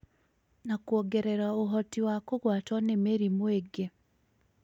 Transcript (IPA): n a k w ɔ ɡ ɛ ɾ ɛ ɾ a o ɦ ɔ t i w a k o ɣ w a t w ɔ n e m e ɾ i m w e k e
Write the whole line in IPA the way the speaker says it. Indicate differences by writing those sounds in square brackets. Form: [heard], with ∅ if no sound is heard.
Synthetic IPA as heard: n a k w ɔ ɡ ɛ ɾ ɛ ɾ a o ɦ ɔ t i w a k o ɣ w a t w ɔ n e m e ɾ i m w e [ɡ] e